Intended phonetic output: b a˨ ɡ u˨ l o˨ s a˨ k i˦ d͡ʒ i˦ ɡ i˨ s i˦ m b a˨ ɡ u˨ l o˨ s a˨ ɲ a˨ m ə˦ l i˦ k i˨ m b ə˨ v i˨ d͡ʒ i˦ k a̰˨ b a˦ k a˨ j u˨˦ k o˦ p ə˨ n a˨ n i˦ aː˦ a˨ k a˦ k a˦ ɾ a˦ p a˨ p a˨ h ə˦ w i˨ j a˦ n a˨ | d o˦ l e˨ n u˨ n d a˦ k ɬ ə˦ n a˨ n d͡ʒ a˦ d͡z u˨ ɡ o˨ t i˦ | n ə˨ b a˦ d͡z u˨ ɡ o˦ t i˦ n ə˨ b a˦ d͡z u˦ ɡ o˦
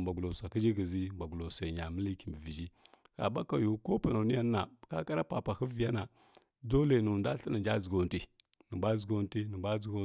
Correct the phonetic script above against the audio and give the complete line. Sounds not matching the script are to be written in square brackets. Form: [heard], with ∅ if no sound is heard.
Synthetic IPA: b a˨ ɡ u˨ l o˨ s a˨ k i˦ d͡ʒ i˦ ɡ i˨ [z] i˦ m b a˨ ɡ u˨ l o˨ s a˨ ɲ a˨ m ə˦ l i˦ k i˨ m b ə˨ v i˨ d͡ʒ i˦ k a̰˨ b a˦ k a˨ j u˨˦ k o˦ p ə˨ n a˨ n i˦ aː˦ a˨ k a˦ k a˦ ɾ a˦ p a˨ p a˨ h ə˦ [v] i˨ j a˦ n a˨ | d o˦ l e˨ n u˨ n d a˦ [∅] ɬ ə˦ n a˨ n d͡ʒ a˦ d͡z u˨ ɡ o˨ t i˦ | n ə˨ b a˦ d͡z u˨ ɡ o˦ t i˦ n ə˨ b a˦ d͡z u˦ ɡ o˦